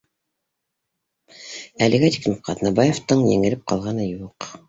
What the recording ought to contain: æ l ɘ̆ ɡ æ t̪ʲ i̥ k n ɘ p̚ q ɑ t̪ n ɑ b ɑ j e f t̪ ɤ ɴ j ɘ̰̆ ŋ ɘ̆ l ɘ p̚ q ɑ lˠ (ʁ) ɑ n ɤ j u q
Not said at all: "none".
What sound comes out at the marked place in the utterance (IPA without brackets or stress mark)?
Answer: ʁ